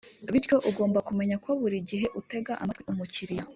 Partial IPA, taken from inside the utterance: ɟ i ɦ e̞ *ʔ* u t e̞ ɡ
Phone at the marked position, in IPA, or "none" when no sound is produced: ʔ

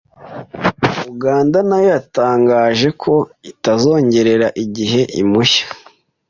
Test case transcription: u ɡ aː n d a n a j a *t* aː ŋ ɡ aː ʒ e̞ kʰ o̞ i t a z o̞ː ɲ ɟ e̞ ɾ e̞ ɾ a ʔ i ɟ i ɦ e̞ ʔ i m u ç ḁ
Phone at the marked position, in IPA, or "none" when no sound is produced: t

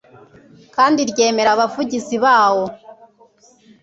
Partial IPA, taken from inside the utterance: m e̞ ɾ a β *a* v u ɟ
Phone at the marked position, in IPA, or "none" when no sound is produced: a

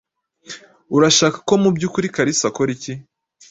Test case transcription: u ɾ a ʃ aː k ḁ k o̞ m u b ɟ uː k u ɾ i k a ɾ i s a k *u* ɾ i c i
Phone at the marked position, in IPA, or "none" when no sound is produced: o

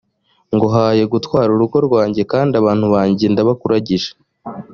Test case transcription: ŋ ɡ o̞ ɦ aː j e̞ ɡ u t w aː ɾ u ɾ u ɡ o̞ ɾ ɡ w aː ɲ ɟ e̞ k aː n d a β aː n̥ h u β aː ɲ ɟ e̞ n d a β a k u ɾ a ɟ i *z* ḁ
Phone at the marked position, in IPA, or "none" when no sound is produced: ʒ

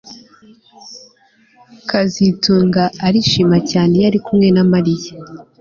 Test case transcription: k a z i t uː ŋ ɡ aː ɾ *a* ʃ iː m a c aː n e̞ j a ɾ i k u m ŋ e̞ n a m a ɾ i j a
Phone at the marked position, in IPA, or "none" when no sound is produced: i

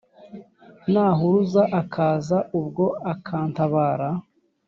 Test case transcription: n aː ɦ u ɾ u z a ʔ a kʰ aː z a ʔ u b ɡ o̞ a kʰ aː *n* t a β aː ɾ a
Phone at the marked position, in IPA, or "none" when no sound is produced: n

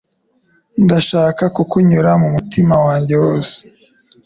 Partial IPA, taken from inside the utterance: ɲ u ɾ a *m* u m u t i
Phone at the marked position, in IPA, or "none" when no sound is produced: m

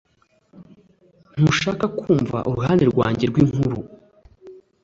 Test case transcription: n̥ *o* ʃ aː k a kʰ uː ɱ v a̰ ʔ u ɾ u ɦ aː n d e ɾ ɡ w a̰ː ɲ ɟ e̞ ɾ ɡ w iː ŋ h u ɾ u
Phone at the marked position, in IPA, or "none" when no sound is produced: u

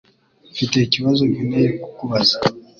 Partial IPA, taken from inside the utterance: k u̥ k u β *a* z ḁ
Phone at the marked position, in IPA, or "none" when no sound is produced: a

